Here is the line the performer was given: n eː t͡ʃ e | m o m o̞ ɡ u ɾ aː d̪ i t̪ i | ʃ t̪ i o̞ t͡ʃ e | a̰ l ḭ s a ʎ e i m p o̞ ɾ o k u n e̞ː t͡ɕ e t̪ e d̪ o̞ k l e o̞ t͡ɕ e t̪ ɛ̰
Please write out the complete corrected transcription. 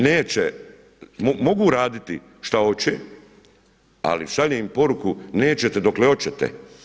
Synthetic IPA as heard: n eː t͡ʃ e | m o m o̞ ɡ u ɾ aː d̪ i t̪ i | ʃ t̪ a o̞ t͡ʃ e | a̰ l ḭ s a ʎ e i m p o̞ ɾ u k u n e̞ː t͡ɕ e t̪ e d̪ o̞ k l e o̞ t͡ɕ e t̪ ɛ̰